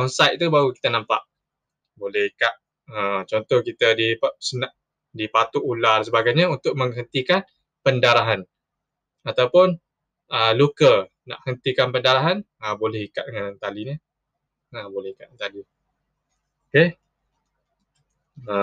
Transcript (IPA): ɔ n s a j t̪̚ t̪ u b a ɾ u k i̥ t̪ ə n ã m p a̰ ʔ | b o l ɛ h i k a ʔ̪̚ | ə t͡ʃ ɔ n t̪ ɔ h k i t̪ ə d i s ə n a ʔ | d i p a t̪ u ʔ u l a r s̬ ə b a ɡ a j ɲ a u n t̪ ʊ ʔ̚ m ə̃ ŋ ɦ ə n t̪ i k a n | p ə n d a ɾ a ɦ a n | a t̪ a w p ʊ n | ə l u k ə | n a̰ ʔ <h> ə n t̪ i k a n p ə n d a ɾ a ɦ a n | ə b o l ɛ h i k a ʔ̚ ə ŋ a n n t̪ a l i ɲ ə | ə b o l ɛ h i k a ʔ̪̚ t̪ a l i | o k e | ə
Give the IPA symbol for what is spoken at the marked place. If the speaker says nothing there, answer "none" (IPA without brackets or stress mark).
h